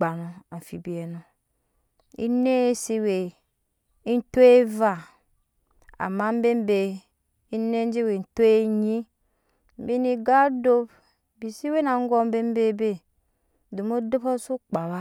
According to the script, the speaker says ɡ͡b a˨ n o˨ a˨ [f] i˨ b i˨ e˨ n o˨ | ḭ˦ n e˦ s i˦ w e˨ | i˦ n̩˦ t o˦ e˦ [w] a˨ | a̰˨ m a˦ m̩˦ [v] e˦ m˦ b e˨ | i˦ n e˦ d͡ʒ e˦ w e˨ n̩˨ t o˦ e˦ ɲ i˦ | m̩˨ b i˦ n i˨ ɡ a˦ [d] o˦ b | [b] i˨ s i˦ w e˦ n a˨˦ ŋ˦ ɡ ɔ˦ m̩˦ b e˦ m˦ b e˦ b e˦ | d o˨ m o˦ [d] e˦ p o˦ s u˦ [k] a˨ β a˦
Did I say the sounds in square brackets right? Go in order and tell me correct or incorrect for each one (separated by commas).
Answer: correct, incorrect, incorrect, correct, correct, correct, incorrect